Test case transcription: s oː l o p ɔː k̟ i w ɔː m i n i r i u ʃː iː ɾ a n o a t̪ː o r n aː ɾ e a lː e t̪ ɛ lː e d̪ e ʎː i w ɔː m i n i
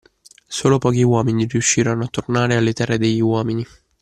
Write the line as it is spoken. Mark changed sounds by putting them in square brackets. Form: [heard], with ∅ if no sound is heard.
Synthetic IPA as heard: s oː l o p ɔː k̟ i w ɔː m i n i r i u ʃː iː ɾ a n o a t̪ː o r n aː ɾ e a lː e t̪ ɛ [rː] e d̪ e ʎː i w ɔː m i n i